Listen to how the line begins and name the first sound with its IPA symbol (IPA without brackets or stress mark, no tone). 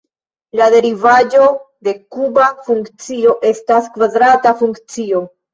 l